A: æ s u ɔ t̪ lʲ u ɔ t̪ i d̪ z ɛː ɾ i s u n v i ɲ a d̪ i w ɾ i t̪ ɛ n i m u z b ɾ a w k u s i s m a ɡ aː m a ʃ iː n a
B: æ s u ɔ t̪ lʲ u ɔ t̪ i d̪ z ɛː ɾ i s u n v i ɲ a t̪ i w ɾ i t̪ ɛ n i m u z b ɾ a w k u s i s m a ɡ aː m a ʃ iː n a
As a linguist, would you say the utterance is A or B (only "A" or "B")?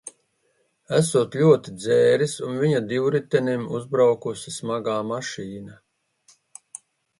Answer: A